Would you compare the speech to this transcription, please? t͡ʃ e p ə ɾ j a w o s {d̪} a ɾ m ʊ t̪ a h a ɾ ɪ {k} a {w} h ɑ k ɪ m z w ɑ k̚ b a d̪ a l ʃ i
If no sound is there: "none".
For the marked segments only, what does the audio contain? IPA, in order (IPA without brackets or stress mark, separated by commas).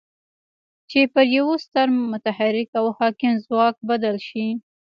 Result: t̪, k, w